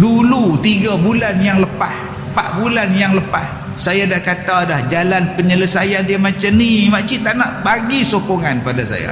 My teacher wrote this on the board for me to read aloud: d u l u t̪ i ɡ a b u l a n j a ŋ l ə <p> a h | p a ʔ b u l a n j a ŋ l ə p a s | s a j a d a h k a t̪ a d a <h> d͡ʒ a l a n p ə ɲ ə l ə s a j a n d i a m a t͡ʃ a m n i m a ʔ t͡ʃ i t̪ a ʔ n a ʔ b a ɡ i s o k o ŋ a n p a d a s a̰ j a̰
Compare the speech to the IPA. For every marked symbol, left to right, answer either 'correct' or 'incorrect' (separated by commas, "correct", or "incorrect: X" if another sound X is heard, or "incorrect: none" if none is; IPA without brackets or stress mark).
correct, correct